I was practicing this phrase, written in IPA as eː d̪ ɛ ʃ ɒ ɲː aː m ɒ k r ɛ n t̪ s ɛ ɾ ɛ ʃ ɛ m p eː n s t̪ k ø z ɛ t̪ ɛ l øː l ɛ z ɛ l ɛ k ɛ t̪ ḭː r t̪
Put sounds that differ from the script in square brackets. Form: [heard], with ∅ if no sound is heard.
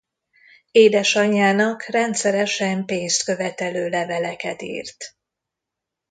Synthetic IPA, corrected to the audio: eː d̪ ɛ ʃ ɒ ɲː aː [n] ɒ k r ɛ n t̪ s ɛ ɾ ɛ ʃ ɛ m p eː n s t̪ k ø [v] ɛ t̪ ɛ l øː l ɛ [v] ɛ l ɛ k ɛ t̪ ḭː r t̪